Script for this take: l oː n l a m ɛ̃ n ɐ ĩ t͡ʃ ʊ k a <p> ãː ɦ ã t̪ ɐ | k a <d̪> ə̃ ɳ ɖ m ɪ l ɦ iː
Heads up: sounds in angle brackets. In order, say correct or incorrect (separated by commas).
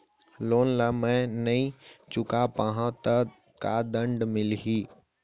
correct, correct